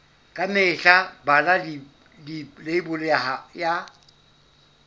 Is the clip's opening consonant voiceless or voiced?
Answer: voiceless